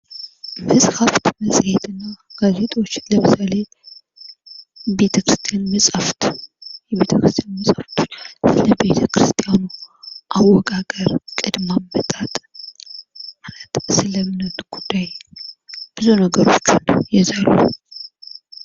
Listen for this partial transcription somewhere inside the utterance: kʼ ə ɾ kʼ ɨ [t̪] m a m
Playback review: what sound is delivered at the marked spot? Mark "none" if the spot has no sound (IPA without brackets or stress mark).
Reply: d̪